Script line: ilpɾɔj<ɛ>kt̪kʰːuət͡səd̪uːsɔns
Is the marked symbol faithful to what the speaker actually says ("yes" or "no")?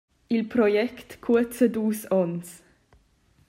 yes